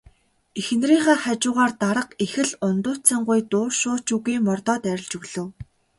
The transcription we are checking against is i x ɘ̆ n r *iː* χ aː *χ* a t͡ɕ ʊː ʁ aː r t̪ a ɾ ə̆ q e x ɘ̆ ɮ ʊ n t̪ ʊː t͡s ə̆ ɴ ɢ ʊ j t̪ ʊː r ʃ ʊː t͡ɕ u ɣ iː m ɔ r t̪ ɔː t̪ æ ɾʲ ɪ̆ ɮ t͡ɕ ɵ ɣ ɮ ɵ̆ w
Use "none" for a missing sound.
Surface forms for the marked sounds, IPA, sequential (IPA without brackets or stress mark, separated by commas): iː, χ